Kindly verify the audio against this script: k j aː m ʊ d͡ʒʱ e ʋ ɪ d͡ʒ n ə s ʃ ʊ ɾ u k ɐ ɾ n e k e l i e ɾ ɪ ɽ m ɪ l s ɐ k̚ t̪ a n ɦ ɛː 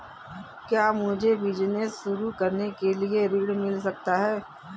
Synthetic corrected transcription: k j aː m ʊ d͡ʒʱ e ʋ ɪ d͡ʒ n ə s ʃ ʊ ɾ u k ɐ ɾ n e k e l i e ɾ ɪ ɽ m ɪ l s ɐ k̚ t̪ a ɦ ɛː